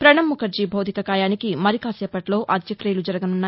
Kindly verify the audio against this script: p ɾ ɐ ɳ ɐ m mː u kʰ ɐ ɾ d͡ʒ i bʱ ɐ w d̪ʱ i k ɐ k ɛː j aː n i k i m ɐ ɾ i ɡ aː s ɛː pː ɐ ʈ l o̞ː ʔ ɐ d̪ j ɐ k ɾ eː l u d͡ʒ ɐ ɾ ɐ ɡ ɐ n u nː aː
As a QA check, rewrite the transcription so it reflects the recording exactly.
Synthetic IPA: p ɾ ɐ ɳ ɐ m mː u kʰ ɐ ɾ d͡ʒ i bʱ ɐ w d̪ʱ i k ɐ k aː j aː n i k i m ɐ ɾ i k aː s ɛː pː ɐ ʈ l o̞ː ʔ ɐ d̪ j ɐ k ɾ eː l u d͡ʒ ɐ ɾ ɐ ɡ ɐ n u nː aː